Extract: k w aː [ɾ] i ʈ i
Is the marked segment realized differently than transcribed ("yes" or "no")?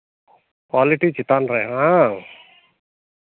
yes